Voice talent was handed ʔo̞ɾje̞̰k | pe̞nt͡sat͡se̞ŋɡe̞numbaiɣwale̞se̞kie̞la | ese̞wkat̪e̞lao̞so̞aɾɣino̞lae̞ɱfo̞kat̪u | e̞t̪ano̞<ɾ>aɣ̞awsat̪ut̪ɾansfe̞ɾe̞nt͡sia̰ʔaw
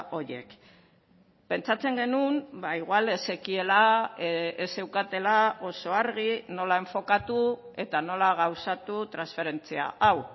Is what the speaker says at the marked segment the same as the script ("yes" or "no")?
no